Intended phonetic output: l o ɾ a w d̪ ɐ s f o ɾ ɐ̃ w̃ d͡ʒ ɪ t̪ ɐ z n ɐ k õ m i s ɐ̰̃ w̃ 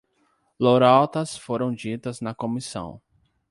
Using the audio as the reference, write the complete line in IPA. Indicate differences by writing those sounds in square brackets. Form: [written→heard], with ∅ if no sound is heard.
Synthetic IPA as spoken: l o ɾ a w [d̪→t̪] ɐ s f o ɾ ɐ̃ w̃ d͡ʒ [ɪ→i] t̪ ɐ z n ɐ k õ m i s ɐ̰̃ w̃